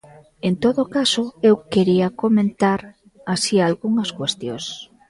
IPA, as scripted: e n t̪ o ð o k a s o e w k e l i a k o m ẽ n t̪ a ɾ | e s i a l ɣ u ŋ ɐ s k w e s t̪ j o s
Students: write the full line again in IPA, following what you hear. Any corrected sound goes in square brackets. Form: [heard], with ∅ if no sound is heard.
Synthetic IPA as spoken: e n t̪ o ð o k a s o e w k e [ɾ] i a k o m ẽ n t̪ a ɾ | [a] s i a l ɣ u ŋ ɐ s k w e s t̪ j o s